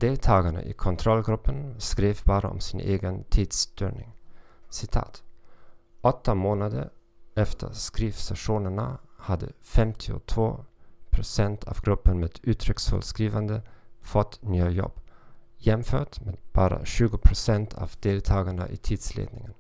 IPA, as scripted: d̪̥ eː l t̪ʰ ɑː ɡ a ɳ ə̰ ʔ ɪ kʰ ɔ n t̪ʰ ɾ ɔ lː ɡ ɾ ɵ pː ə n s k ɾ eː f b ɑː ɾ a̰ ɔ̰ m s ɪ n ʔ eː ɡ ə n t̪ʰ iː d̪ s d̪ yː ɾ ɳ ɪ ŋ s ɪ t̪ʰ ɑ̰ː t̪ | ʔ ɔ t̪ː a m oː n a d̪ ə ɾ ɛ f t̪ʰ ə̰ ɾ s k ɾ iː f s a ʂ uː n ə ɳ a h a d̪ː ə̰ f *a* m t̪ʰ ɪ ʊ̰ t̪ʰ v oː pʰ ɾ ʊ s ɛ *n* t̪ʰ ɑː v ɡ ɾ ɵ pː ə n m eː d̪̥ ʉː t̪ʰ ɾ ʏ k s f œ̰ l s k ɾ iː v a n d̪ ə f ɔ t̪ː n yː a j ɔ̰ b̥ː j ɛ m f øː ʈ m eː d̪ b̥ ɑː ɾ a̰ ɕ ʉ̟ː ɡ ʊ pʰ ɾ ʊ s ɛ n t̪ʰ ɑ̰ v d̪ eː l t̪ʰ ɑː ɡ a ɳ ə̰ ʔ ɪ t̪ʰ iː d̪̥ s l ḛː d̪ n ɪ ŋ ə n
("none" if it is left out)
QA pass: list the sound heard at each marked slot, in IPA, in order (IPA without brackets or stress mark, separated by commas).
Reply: ɛ, n